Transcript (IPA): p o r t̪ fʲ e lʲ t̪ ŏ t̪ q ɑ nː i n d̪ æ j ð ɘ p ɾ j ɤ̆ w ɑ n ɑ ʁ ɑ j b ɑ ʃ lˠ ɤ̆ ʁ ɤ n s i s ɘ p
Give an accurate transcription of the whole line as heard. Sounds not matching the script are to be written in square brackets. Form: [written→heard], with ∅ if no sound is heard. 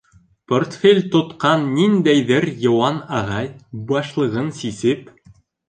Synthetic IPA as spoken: p o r t̪ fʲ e lʲ t̪ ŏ t̪ q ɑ nː i n d̪ æ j ð ɘ [p→∅] ɾ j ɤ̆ w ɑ n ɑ ʁ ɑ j b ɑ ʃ lˠ ɤ̆ ʁ ɤ n s i s ɘ p